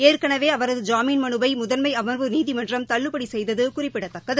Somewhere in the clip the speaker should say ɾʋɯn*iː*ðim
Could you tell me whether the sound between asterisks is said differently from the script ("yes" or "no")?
no